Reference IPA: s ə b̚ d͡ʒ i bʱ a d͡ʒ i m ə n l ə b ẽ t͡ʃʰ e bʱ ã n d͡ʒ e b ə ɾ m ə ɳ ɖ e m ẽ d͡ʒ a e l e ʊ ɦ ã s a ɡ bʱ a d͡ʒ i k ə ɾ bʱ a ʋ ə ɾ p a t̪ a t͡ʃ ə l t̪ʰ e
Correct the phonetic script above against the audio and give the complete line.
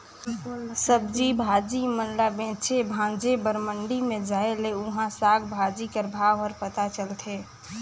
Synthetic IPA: s ə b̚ d͡ʒ i bʱ a d͡ʒ i m ə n l a b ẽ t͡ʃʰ e bʱ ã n d͡ʒ e b ə ɾ m ə ɳ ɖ i m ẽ d͡ʒ a e l e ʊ ɦ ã s a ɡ bʱ a d͡ʒ i k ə ɾ bʱ a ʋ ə ɾ p ə t̪ a t͡ʃ ə l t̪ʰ e